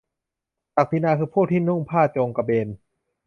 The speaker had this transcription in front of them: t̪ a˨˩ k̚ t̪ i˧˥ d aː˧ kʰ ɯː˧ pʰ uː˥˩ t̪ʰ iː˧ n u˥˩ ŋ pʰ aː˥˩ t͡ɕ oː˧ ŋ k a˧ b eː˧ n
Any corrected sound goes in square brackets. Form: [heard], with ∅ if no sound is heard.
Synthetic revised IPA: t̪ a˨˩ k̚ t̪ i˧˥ [n] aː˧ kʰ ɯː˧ pʰ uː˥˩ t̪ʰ [iː˥˩] n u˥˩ ŋ pʰ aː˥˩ t͡ɕ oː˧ ŋ k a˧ b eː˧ n

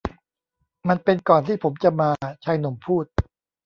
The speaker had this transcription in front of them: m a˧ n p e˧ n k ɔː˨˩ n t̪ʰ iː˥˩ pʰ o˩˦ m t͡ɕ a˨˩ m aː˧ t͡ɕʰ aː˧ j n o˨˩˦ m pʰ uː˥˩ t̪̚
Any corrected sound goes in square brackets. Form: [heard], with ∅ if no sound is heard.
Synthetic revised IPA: m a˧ n p e˧ n k ɔː˨˩ n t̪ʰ iː˥˩ pʰ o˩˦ m t͡ɕ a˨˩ m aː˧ t͡ɕʰ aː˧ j n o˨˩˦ m pʰ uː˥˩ t̪̚

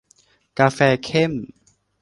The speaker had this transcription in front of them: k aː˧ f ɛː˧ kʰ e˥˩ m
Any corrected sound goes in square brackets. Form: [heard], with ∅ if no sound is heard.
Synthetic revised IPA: k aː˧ f ɛː˧ kʰ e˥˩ m

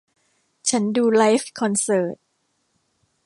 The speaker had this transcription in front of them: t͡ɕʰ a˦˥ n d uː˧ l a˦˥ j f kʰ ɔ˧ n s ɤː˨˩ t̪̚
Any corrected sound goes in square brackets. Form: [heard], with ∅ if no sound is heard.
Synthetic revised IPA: t͡ɕʰ a˦˥ n d uː˧ l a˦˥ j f kʰ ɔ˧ n s ɤː˨˩ t̪̚

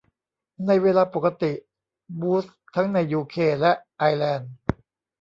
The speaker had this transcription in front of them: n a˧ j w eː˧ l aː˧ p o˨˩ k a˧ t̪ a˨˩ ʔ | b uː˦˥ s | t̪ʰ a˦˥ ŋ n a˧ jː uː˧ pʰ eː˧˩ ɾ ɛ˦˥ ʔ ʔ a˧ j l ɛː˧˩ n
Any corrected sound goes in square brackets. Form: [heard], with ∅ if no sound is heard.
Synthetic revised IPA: n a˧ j w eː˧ l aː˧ p o˨˩ k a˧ t̪ [i˨˩] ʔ | b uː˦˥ s | t̪ʰ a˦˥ ŋ n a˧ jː uː˧ [kʰ] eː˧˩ [l] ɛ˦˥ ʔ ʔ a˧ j l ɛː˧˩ n

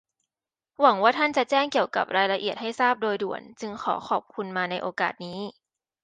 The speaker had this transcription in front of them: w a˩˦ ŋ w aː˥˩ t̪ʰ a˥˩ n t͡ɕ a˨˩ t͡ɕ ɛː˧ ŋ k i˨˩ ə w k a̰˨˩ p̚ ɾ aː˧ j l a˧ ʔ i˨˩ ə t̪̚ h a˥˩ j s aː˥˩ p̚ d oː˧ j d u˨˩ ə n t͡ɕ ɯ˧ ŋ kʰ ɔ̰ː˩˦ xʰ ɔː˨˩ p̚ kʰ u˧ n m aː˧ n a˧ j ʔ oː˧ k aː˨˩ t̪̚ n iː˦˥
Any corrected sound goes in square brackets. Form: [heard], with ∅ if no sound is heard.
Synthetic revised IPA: w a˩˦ ŋ w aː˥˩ t̪ʰ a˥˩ n t͡ɕ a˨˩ t͡ɕ [ɛː˥˩] ŋ k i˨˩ ə w k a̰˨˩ p̚ ɾ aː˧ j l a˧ ʔ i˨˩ ə t̪̚ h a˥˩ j s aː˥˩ p̚ d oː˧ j d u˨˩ ə n t͡ɕ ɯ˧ ŋ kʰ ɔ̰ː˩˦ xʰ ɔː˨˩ p̚ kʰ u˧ n m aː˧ n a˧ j ʔ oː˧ k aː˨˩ t̪̚ n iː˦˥

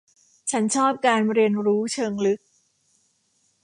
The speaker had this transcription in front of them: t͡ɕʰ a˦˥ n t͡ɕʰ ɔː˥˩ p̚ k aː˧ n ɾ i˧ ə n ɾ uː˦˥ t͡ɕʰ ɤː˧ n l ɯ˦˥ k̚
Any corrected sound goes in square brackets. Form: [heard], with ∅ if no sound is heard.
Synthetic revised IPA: t͡ɕʰ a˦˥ n t͡ɕʰ ɔː˥˩ p̚ k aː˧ n ɾ i˧ ə n ɾ uː˦˥ t͡ɕʰ ɤː˧ [ŋ] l ɯ˦˥ k̚

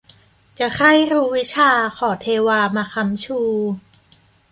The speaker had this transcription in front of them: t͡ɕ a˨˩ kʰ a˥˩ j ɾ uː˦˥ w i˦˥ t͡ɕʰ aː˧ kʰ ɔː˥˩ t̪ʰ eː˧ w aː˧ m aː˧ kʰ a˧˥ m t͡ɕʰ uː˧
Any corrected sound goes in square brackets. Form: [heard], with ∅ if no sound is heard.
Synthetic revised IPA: t͡ɕ a˨˩ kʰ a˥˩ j ɾ uː˦˥ w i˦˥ t͡ɕʰ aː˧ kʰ [ɔː˨˩] t̪ʰ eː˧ w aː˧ m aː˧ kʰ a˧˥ m t͡ɕʰ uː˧

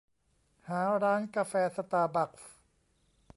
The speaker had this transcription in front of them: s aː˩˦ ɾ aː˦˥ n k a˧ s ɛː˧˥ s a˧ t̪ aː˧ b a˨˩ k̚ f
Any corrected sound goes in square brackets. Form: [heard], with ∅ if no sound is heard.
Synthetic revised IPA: [h] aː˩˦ ɾ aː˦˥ n k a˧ [f] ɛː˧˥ s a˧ t̪ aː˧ b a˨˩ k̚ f

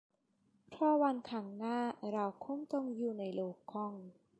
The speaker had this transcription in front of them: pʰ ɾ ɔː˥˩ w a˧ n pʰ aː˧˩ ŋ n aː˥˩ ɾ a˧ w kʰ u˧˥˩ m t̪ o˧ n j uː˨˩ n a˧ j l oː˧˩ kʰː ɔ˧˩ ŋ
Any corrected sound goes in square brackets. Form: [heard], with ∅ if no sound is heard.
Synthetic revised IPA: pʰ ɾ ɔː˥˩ w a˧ n [kʰ] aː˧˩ ŋ n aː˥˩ ɾ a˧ w kʰ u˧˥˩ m t̪ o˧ [ŋ] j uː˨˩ n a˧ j l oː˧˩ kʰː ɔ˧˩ ŋ

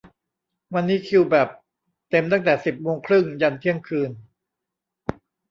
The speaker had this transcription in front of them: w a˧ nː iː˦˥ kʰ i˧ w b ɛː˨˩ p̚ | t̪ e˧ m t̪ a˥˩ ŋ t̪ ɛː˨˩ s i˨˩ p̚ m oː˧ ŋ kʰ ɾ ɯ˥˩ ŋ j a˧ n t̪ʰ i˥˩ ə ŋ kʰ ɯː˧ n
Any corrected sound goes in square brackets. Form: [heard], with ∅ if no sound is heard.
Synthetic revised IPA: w a˧ nː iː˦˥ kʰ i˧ w b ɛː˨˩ p̚ | t̪ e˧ m t̪ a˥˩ ŋ t̪ ɛː˨˩ s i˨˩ p̚ m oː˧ ŋ kʰ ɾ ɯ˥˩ ŋ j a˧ n t̪ʰ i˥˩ ə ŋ kʰ ɯː˧ n

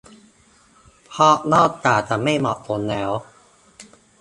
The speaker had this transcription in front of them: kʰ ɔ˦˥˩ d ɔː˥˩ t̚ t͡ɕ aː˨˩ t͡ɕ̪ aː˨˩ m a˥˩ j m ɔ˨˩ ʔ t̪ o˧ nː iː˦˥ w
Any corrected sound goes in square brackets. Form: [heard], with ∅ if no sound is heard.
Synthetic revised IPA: [pʰ] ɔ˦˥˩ [n] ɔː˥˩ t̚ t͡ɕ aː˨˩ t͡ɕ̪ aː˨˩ m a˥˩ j m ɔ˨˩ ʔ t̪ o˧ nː [ɛː˦˥] w

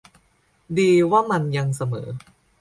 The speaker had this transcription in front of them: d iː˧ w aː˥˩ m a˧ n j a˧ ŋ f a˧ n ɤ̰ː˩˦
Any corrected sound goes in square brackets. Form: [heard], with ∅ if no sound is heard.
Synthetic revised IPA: d iː˧ w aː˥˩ m a˧ n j a˧ ŋ [s] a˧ [m] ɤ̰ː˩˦

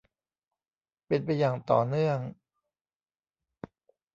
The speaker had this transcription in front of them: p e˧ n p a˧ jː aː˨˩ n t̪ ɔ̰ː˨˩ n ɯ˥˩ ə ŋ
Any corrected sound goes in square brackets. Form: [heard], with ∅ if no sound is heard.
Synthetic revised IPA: p e˧ n p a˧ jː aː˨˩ [ŋ] t̪ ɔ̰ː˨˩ n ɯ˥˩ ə ŋ

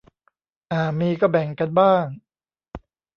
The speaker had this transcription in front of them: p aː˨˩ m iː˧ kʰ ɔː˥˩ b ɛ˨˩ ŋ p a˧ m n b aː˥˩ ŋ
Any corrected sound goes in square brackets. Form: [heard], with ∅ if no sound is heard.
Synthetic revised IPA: [ʔ] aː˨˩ m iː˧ [k] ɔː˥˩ b ɛ˨˩ ŋ [k] a˧ [∅] n b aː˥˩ ŋ

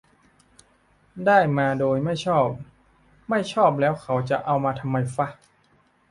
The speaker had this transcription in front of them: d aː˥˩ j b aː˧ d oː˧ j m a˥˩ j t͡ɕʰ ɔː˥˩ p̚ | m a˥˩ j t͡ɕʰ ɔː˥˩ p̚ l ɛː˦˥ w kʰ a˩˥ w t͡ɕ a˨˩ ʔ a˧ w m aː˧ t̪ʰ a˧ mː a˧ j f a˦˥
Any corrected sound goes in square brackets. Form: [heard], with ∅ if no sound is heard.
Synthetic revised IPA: d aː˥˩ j [m] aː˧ d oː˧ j m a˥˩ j t͡ɕʰ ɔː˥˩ p̚ | m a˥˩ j t͡ɕʰ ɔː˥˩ p̚ l ɛː˦˥ w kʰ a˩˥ w t͡ɕ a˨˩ ʔ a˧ w m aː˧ t̪ʰ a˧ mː a˧ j f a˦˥

